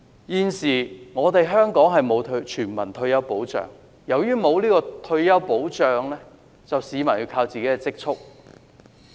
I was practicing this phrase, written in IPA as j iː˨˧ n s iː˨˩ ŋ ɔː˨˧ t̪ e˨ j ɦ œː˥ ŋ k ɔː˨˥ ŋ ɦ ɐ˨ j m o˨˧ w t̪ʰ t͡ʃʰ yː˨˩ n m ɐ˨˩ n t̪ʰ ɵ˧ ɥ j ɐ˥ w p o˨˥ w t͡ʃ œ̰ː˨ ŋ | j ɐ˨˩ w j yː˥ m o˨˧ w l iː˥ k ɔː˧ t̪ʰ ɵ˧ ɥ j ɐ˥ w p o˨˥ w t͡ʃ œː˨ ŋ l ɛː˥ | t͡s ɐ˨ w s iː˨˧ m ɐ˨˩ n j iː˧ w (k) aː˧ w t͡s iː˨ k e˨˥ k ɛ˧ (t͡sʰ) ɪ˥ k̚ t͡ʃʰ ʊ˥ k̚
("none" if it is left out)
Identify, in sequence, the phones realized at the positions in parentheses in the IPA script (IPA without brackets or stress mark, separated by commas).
kʰ, t͡s